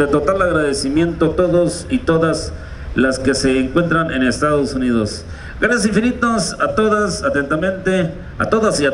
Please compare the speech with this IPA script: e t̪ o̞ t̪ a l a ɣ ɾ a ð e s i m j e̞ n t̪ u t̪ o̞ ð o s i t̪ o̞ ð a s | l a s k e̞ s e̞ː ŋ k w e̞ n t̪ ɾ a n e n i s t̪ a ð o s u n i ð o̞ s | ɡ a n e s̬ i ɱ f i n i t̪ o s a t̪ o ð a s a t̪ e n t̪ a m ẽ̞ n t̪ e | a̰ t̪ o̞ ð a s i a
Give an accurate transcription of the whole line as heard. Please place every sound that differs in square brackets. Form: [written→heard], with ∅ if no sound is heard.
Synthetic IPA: e t̪ o̞ t̪ a l a ɣ ɾ a ð e s i m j e̞ n t̪ [u→o] t̪ o̞ ð o s i t̪ o̞ ð a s | l a s k e̞ s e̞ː ŋ k w e̞ n t̪ ɾ a n e n [i→e] s t̪ a ð o s u n i ð o̞ s | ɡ a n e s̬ i ɱ f i n i t̪ o s a t̪ o ð a s a t̪ e n t̪ a m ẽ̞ n t̪ e | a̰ t̪ o̞ ð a s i a